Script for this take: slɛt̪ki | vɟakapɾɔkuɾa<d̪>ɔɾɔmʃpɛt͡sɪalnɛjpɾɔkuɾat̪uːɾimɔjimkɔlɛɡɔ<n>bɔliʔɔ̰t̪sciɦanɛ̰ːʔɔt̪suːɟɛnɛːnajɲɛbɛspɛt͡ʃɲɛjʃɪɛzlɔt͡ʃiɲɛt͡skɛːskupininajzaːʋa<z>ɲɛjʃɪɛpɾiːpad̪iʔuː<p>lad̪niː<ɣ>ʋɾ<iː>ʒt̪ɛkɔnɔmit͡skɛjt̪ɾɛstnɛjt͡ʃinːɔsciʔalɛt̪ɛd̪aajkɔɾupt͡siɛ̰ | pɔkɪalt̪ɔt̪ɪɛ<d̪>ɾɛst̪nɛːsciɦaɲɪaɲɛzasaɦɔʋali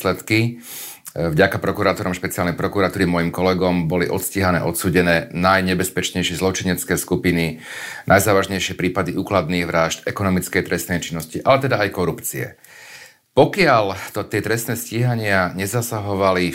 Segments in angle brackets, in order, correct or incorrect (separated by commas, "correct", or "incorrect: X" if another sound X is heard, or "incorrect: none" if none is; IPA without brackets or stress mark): incorrect: t̪, incorrect: m, incorrect: ʒ, incorrect: k, correct, incorrect: aː, incorrect: t̪